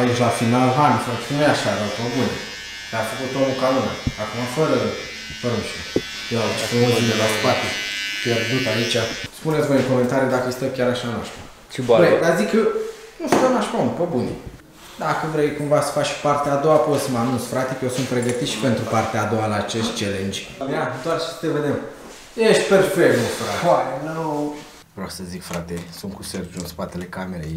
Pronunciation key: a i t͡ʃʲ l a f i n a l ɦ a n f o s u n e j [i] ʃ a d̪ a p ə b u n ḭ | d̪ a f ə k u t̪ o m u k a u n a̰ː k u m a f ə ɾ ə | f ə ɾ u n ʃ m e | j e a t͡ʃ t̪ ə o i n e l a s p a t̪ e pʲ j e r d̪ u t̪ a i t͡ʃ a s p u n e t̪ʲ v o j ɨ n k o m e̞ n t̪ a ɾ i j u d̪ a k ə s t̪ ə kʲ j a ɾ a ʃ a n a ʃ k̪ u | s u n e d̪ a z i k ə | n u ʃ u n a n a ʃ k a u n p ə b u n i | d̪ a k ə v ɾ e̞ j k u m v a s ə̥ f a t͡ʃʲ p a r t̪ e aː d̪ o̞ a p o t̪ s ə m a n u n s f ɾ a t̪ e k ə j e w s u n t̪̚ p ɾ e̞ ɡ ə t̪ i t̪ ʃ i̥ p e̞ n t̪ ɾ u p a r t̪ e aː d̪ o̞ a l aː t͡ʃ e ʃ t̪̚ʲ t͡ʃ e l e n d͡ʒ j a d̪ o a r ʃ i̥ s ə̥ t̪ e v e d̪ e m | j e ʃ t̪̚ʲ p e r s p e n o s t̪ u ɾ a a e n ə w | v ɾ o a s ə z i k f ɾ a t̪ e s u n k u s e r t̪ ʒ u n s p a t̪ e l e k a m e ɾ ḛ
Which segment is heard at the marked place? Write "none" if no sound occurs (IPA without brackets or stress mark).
a